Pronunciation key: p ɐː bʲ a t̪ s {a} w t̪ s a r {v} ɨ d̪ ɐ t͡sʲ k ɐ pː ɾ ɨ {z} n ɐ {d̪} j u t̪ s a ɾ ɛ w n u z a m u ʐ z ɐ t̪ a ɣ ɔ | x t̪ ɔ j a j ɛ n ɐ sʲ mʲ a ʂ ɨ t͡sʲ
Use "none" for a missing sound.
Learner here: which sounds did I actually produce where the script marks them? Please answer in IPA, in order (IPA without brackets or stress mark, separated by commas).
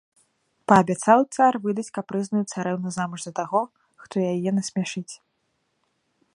a, v, z, none